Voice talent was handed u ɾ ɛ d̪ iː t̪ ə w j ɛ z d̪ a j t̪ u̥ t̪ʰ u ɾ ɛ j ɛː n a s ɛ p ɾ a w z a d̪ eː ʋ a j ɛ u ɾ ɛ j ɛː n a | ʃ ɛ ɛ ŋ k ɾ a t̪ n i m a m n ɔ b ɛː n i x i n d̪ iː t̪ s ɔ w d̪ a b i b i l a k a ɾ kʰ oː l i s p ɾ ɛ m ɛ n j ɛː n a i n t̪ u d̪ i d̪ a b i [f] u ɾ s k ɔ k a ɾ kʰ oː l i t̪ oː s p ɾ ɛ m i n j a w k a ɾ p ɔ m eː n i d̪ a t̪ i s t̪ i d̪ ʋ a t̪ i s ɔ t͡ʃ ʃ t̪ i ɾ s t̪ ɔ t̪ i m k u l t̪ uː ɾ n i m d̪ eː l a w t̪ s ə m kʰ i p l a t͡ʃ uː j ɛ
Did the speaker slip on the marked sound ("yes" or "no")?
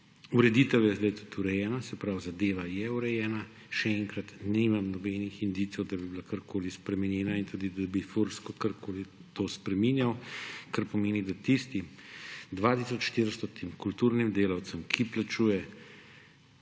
no